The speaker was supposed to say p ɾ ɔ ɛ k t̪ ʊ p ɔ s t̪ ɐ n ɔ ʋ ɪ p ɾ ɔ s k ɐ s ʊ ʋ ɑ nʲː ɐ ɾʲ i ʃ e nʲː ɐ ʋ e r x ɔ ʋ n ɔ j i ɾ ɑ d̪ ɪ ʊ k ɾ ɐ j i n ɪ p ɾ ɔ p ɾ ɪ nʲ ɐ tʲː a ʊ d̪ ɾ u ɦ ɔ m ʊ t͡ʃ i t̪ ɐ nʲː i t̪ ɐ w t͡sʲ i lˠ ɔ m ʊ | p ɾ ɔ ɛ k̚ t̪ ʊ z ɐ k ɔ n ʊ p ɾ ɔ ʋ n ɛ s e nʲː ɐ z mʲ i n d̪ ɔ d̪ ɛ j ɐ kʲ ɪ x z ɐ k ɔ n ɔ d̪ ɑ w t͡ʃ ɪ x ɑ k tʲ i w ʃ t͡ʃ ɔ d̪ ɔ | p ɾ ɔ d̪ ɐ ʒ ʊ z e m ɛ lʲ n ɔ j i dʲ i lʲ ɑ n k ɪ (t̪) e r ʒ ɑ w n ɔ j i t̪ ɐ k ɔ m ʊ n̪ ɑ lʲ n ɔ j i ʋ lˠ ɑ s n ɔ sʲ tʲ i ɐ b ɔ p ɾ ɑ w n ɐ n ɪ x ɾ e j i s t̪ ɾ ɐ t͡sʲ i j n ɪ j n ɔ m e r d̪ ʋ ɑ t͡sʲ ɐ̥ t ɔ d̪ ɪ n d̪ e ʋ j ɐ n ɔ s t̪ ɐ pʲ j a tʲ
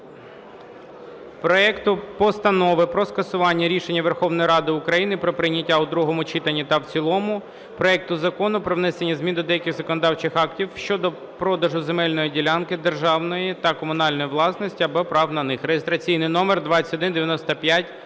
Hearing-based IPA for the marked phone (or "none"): d̪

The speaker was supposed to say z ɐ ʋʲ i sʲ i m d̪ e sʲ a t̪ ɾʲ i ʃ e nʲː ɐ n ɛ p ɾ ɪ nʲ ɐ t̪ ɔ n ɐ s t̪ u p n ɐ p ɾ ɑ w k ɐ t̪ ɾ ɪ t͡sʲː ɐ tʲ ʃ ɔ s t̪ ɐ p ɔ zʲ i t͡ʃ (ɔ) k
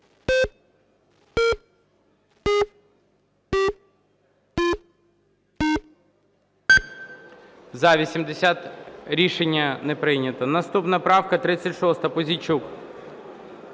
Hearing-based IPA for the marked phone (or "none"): u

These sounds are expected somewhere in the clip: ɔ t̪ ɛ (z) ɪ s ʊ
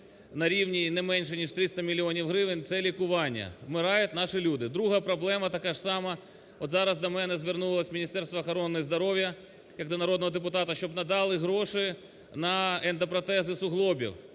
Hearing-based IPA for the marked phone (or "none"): z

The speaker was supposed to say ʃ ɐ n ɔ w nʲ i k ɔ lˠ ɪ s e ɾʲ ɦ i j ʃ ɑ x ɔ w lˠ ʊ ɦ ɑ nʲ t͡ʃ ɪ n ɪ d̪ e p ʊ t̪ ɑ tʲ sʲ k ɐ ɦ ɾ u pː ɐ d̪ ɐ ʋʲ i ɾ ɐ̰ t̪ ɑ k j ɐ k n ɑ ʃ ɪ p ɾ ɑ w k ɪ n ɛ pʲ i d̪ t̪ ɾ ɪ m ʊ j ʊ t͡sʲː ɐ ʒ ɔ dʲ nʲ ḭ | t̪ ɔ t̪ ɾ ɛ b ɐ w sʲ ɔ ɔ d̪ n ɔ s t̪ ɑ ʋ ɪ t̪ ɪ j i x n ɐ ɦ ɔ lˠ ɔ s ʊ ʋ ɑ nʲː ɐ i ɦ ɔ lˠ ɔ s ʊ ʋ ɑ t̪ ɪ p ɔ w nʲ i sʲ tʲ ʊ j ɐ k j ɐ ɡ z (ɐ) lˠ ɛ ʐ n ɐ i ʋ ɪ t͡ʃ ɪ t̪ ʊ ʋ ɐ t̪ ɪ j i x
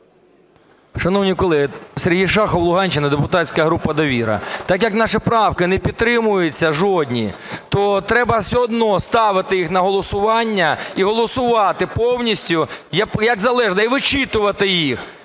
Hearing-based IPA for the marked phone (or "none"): ɐ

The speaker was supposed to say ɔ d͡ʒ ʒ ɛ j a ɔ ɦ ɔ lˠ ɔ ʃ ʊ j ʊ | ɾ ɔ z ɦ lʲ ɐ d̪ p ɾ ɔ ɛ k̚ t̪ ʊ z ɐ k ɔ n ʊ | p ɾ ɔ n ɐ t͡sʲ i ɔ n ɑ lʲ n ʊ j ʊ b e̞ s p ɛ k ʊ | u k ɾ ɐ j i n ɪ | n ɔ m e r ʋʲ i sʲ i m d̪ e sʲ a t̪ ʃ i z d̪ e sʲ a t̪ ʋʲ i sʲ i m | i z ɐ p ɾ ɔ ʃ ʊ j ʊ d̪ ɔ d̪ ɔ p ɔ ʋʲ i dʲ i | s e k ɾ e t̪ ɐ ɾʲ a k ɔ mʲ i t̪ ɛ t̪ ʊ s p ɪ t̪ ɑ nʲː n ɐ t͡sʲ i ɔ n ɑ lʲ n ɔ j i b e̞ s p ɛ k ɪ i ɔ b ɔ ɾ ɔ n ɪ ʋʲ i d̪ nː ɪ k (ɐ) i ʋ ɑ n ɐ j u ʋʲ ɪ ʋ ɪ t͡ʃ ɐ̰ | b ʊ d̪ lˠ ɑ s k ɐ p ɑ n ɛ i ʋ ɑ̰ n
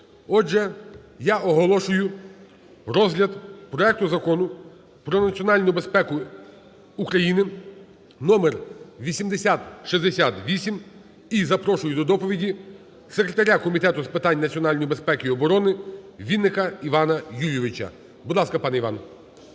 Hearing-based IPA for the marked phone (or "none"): ɐ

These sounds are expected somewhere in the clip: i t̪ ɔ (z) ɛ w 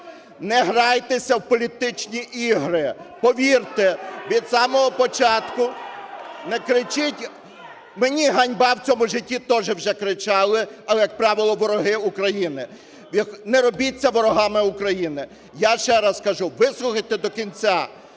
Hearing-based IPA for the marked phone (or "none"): ʒ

